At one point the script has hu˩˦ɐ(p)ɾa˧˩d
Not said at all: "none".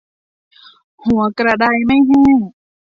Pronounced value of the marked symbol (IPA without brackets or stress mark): k